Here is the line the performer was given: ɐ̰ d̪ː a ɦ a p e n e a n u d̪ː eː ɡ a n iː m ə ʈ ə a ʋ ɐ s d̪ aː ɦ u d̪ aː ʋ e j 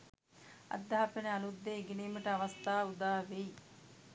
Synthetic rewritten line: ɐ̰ d̪ː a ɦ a p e n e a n u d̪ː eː ɡ e n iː m ə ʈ ə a ʋ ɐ s t̪ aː u d̪ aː ʋ e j